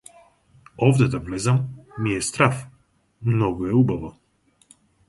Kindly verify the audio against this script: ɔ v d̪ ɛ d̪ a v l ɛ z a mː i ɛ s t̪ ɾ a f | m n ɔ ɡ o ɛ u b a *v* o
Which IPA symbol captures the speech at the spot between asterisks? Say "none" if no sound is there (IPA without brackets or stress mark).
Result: v